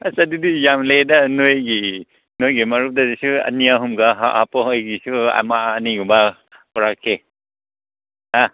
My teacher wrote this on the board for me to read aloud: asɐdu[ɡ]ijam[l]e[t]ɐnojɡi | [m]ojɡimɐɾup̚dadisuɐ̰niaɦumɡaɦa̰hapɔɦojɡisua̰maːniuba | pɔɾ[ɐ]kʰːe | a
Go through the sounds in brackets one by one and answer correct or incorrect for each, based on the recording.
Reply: incorrect, correct, incorrect, incorrect, incorrect

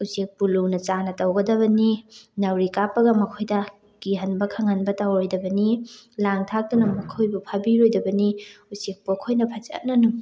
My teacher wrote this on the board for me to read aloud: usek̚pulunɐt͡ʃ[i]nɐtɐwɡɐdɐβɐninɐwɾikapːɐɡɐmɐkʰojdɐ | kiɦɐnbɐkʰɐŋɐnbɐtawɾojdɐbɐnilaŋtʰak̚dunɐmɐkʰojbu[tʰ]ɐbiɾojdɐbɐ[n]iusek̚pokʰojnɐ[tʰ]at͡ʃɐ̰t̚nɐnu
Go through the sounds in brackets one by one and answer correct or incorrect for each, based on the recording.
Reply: incorrect, incorrect, correct, incorrect

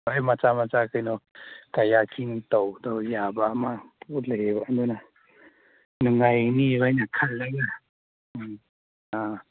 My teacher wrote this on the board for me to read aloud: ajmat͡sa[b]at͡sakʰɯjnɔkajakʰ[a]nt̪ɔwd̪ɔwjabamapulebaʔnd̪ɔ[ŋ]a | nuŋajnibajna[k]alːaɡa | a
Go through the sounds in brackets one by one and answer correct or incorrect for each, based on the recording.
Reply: incorrect, incorrect, incorrect, incorrect

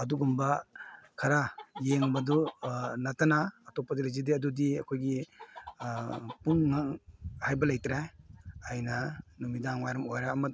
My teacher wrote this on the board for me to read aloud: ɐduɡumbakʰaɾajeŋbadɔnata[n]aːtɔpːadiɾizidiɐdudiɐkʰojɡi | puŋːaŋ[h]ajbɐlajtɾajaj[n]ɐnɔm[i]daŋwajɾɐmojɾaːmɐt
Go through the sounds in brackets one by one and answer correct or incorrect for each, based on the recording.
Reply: correct, correct, correct, correct

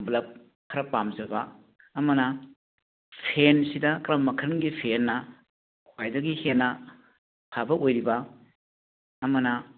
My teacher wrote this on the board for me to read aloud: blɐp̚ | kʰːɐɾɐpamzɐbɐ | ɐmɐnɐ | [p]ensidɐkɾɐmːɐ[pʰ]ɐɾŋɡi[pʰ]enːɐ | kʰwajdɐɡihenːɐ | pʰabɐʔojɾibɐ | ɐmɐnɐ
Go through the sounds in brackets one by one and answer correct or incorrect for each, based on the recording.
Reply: incorrect, incorrect, correct

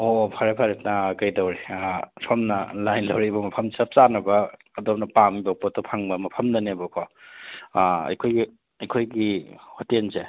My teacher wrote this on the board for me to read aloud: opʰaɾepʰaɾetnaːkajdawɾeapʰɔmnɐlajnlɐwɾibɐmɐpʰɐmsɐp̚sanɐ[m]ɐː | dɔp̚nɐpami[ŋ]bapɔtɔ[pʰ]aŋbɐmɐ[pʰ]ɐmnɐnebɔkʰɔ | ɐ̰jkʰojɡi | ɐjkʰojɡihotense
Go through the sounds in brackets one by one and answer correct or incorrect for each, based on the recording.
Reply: incorrect, incorrect, correct, correct

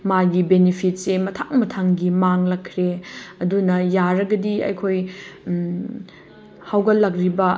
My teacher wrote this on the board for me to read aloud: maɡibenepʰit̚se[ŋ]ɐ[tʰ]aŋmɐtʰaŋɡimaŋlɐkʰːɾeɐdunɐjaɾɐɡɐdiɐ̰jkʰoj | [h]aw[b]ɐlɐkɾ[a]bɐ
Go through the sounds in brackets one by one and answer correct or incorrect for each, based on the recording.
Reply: incorrect, correct, correct, incorrect, incorrect

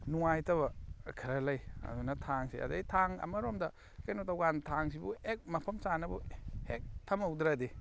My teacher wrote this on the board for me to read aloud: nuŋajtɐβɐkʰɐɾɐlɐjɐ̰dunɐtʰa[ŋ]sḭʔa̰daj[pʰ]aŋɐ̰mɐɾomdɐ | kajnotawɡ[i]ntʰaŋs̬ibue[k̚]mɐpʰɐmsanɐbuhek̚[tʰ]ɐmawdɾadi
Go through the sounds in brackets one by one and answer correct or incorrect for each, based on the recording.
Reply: correct, incorrect, incorrect, correct, correct

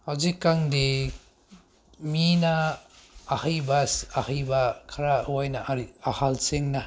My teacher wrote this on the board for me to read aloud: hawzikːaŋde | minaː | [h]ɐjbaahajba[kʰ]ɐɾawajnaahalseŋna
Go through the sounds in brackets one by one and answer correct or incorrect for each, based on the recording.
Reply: correct, correct

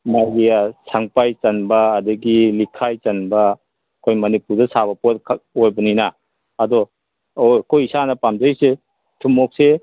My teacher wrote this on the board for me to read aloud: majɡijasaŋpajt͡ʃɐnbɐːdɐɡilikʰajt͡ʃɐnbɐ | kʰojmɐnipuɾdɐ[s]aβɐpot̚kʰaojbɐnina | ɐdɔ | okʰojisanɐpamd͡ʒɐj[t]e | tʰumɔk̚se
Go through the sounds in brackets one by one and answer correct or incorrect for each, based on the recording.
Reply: correct, incorrect

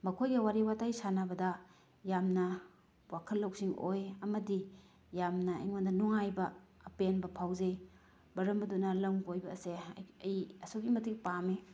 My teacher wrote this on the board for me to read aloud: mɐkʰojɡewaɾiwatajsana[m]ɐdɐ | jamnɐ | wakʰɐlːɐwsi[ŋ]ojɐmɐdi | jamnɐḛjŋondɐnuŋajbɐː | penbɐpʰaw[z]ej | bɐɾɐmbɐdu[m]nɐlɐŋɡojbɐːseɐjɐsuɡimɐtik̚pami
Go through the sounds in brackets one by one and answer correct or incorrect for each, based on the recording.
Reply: incorrect, correct, correct, incorrect

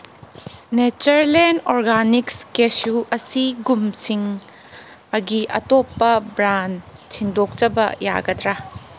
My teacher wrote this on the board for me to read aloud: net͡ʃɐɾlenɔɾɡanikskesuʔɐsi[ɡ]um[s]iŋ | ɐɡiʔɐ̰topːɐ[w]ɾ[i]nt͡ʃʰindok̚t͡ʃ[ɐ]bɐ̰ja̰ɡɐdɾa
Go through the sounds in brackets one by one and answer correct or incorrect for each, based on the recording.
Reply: correct, correct, incorrect, incorrect, correct

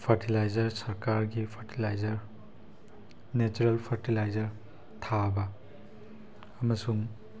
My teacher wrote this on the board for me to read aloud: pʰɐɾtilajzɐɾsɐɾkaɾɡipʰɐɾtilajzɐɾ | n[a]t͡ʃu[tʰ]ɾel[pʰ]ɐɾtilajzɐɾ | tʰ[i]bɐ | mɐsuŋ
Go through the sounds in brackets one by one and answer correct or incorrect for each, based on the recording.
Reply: incorrect, incorrect, correct, incorrect

